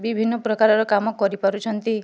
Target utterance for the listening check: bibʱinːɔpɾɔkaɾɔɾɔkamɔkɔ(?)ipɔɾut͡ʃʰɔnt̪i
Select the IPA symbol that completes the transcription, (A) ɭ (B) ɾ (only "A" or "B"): B